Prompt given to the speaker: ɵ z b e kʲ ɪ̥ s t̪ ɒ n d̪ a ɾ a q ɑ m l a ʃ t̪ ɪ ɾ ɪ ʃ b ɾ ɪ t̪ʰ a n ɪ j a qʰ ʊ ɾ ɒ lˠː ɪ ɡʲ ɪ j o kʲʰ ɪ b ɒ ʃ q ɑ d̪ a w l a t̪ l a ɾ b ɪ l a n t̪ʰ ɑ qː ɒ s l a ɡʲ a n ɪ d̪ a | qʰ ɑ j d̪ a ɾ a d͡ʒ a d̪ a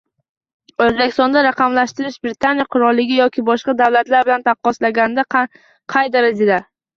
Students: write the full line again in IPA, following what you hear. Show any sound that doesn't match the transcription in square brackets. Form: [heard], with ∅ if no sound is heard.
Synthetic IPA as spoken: ɵ z b e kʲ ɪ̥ s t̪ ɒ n d̪ a ɾ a q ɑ m l a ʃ t̪ ɪ ɾ ɪ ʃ b ɾ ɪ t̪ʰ a n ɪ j a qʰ ʊ ɾ ɒ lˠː ɪ ɡʲ ɪ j [ɒ] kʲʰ ɪ b ɒ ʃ q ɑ d̪ a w l a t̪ l a ɾ b ɪ l a n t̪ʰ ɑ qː ɒ s l a ɡʲ a n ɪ d̪ a | qʰ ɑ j d̪ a ɾ a d͡ʒ a d̪ a